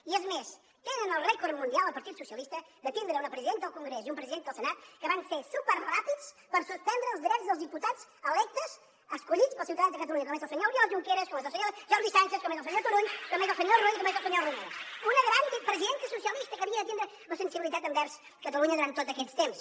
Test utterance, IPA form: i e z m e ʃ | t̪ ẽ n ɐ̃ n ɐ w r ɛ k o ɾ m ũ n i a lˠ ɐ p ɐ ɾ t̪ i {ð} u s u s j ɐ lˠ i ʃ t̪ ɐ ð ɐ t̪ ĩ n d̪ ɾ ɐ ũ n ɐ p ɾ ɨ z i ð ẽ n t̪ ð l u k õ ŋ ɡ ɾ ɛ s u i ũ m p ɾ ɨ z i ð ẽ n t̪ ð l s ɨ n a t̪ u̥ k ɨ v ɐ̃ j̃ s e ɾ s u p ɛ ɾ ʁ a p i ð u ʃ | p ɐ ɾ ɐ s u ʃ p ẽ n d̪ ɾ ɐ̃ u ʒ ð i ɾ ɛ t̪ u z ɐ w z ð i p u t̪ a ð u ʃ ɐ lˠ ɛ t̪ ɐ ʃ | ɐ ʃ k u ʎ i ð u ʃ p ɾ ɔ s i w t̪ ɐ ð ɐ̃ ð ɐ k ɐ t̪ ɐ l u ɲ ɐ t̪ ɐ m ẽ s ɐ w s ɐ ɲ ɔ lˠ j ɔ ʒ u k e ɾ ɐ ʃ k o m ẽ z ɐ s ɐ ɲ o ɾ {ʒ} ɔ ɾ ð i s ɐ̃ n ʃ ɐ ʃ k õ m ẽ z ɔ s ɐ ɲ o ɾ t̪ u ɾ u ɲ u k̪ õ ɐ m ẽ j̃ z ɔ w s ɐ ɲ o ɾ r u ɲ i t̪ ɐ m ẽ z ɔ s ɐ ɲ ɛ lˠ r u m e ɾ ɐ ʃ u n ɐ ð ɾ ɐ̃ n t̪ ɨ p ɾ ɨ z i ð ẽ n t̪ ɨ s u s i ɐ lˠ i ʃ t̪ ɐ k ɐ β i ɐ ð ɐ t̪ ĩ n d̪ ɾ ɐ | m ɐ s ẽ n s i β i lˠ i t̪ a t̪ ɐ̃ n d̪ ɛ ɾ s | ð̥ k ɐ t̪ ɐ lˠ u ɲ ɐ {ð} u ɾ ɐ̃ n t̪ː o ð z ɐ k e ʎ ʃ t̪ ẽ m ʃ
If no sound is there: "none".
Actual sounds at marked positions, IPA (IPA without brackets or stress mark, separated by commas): ð, ʒ, ð